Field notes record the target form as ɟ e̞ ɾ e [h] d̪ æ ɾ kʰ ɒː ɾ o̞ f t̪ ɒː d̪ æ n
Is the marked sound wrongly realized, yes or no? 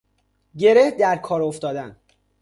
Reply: no